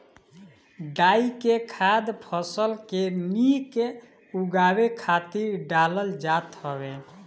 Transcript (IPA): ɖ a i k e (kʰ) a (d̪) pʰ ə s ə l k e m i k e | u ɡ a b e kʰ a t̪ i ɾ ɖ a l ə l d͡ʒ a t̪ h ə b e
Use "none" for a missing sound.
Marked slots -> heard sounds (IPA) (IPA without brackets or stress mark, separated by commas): kʰ, d̪